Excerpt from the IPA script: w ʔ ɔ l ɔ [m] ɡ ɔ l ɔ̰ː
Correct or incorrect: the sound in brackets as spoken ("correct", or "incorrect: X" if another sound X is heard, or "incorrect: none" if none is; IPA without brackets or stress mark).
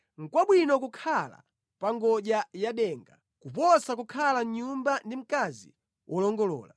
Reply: incorrect: ŋ